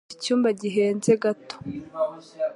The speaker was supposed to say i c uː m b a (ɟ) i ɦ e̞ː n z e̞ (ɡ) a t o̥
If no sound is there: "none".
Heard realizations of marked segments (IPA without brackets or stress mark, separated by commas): ɟ, ɡ